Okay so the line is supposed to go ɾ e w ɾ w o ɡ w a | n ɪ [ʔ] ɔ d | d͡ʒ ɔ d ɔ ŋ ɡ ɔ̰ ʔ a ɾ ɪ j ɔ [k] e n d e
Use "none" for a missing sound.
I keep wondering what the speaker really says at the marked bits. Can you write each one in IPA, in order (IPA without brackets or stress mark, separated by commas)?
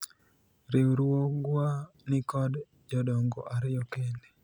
k, k